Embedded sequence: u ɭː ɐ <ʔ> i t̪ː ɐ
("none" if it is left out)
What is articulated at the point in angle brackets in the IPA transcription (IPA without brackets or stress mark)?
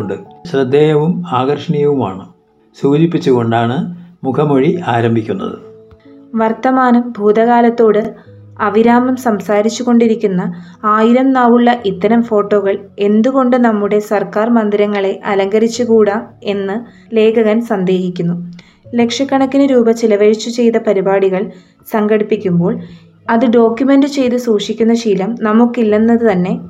ʔ